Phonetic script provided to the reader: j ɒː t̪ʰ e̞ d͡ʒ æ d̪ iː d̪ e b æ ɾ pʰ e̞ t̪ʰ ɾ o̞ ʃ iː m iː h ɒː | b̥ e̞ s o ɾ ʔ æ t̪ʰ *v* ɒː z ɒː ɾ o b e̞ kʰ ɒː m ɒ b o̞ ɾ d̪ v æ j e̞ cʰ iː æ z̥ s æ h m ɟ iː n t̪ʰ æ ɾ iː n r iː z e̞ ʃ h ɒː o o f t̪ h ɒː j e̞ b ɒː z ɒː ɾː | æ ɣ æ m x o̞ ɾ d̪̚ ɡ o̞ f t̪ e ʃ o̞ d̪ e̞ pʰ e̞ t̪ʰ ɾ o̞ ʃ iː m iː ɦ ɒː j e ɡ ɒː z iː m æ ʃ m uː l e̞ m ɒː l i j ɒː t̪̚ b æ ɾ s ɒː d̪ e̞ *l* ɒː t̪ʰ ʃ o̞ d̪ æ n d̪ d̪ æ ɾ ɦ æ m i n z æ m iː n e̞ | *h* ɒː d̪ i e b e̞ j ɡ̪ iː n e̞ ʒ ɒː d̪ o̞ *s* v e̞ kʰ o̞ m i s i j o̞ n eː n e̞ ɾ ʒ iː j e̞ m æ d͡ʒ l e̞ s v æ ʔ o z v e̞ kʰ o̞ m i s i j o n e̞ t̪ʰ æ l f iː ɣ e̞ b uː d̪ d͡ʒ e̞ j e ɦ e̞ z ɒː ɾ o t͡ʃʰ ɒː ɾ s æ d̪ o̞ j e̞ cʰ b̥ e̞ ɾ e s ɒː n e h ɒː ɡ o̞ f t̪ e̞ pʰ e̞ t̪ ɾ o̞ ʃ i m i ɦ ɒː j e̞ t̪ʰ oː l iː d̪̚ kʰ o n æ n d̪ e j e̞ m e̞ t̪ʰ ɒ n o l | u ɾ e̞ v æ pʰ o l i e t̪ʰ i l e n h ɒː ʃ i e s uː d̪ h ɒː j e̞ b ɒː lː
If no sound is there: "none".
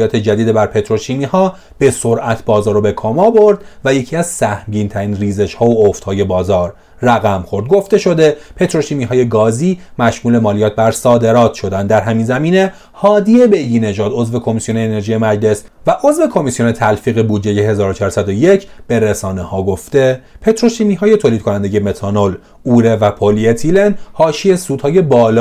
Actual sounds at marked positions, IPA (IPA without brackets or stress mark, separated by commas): b, ɾ, h, z